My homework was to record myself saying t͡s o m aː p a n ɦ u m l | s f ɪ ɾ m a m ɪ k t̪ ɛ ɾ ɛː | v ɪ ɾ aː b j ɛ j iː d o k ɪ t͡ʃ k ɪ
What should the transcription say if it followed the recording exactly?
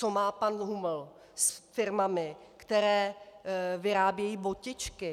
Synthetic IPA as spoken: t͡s o m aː p a n ɦ u m l | s f ɪ ɾ m a m ɪ k t̪ ɛ ɾ ɛː | v ɪ ɾ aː b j ɛ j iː b o c ɪ t͡ʃ k ɪ